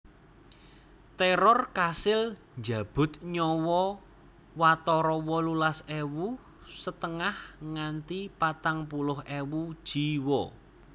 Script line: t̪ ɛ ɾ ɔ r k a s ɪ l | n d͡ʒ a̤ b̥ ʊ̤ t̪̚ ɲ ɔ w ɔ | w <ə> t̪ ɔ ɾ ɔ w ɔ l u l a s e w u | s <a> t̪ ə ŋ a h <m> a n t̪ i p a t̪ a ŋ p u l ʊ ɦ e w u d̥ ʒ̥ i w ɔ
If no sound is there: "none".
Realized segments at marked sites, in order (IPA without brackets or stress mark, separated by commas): a, ə, ŋ